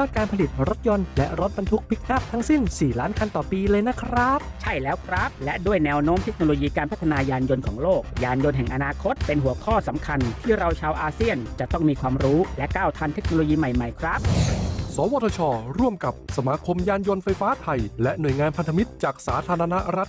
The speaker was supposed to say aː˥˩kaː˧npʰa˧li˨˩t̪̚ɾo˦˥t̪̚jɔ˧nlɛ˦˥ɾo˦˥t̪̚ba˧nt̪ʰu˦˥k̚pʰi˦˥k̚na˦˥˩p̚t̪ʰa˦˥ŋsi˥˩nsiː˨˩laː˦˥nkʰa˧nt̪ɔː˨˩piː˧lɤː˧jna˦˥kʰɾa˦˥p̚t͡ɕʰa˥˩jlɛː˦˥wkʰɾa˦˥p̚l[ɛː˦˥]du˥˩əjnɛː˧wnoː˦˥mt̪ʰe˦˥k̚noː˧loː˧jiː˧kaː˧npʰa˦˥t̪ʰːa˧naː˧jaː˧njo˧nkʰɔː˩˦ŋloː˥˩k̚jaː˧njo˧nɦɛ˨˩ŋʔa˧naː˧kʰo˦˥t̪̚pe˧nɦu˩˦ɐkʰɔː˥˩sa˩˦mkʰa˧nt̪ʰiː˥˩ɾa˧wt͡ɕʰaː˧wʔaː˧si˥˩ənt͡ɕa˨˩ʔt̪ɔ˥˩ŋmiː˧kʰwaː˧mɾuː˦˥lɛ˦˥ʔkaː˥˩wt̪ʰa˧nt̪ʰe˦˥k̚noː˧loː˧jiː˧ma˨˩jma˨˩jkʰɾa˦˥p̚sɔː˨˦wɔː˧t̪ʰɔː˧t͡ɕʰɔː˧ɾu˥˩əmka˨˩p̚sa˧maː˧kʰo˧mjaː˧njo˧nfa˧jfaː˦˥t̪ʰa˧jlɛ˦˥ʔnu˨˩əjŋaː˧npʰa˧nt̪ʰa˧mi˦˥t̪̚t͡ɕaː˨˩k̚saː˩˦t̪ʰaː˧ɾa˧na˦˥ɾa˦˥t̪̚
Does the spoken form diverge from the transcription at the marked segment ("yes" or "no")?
yes